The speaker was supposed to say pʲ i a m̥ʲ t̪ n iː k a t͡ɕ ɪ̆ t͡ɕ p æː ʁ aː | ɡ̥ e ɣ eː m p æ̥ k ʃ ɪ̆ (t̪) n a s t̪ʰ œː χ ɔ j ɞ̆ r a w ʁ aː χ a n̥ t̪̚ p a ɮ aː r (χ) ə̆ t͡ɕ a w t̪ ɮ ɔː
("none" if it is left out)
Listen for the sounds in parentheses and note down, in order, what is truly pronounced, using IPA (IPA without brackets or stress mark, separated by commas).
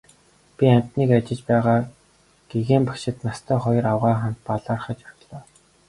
t̪, χ